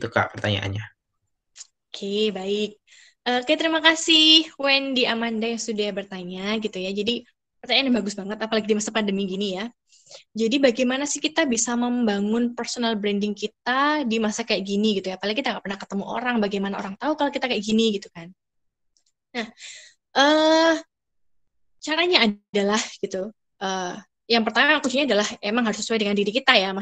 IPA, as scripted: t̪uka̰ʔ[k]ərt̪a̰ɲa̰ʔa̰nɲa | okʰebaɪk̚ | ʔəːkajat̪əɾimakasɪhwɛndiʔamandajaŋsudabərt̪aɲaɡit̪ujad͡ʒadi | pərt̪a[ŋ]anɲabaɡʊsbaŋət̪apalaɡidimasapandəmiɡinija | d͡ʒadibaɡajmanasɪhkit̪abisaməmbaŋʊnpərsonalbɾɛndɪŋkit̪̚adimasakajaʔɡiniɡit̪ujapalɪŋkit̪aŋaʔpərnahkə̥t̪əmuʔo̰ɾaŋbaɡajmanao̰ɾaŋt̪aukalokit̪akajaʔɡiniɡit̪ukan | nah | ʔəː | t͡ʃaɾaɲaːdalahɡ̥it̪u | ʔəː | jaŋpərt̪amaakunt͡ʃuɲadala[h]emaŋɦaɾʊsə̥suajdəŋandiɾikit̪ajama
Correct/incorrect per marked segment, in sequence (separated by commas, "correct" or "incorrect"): incorrect, incorrect, correct